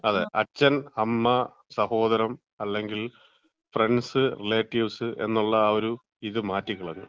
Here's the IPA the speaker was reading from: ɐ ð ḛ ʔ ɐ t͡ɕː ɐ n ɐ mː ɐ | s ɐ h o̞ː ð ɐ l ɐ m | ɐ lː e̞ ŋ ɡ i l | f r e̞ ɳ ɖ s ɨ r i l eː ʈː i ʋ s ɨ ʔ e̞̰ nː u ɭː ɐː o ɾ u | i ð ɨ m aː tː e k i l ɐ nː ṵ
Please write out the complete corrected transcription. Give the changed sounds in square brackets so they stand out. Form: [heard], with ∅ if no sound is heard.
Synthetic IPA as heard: ɐ ð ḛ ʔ ɐ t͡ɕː ɐ n ɐ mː ɐ | s ɐ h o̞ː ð ɐ [ɾ] ɐ m | ɐ lː e̞ ŋ ɡ i l | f r e̞ ɳ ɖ s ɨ r i l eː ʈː i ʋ s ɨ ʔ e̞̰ nː u ɭː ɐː o ɾ u | i ð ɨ m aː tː [i] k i [ɭ] ɐ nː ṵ